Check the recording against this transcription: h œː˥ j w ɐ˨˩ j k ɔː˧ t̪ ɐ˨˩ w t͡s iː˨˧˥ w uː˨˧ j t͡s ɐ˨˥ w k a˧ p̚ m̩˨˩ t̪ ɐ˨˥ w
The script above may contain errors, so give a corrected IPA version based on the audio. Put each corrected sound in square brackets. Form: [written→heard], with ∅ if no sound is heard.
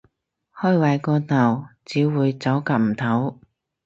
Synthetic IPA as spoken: h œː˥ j w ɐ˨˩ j k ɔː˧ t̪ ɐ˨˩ w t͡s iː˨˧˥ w uː˨˧ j t͡s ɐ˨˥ w k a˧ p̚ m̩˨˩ [t̪→t̪ʰ] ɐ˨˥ w